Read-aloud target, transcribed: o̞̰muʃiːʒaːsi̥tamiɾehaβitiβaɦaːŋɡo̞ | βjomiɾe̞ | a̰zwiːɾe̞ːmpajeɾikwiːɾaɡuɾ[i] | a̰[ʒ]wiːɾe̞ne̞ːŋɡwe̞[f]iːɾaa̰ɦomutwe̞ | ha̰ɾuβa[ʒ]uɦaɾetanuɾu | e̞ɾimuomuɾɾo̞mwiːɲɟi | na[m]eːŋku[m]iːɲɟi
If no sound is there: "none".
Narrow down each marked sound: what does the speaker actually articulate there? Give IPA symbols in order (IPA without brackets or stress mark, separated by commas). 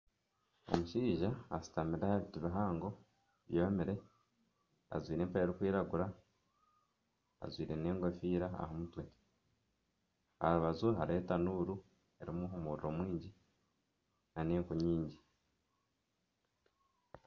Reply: a, z, f, z, n, ɲ